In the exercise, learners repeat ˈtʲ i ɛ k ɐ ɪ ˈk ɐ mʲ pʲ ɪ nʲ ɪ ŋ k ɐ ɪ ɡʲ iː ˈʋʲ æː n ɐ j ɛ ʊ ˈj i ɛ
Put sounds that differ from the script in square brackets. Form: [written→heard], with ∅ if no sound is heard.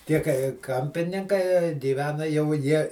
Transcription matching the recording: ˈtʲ i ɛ k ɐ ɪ ˈk ɐ mʲ pʲ ɪ nʲ ɪ ŋ k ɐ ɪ ɡʲ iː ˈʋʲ æː n ɐ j ɛ ʊ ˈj i ɛ